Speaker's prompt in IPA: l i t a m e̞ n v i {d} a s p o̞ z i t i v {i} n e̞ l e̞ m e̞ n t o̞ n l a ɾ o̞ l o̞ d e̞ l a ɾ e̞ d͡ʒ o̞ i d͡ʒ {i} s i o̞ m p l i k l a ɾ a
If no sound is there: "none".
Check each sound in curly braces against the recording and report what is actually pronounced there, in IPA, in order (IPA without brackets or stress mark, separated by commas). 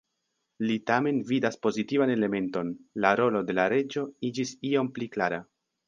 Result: d, a, i